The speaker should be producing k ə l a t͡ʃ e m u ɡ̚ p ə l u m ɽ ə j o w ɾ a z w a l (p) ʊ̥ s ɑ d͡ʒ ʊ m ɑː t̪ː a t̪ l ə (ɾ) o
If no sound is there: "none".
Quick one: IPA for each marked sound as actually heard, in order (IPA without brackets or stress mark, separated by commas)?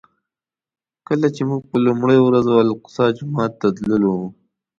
q, l